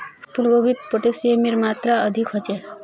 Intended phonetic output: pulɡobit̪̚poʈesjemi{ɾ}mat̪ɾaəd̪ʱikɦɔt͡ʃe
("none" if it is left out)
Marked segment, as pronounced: ɾ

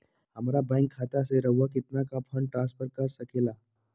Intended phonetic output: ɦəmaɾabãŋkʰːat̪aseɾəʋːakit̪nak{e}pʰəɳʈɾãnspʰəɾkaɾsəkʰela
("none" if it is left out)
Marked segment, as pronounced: a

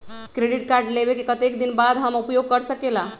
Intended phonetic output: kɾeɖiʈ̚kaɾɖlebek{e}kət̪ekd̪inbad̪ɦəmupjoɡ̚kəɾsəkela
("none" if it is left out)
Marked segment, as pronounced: e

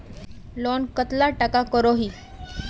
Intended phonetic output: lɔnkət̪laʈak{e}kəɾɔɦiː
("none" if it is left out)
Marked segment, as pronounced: a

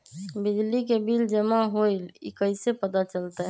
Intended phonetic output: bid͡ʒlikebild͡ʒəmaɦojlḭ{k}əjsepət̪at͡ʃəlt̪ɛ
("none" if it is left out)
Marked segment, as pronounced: k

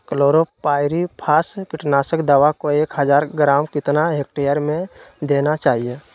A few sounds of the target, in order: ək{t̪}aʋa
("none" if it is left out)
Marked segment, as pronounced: d̪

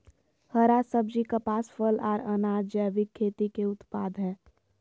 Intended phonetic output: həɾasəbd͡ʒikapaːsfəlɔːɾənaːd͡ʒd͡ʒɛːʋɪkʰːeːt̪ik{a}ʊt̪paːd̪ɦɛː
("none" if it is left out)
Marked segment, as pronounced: e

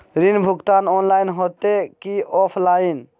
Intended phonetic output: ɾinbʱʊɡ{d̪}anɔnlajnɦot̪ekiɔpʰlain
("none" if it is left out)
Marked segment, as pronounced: t̪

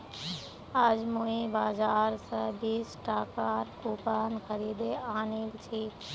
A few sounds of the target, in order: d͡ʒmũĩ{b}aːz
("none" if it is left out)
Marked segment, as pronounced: b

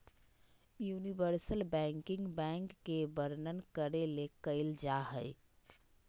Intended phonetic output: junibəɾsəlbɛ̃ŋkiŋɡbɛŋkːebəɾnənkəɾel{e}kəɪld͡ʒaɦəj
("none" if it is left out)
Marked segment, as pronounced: e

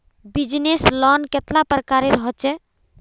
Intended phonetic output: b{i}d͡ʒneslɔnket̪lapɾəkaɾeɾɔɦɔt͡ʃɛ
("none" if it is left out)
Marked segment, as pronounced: i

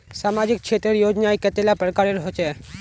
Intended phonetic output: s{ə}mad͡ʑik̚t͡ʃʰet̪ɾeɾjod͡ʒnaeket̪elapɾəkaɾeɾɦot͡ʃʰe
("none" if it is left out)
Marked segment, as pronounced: a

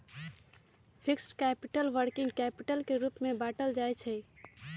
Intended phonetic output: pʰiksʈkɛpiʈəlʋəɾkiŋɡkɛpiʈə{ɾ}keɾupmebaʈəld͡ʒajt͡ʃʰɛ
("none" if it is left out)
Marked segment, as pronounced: l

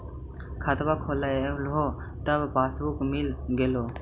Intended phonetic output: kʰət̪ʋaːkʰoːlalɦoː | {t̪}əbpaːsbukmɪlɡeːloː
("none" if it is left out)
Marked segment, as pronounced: t̪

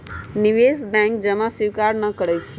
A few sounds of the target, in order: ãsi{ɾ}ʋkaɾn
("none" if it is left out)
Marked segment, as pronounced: none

